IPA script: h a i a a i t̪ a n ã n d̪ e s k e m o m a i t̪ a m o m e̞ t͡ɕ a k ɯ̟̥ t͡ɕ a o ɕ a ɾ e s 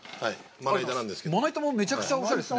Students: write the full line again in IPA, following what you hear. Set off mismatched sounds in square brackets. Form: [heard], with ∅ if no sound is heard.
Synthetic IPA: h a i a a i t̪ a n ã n d̪ e s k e m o [n] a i t̪ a m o m e̞ t͡ɕ a k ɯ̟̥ t͡ɕ a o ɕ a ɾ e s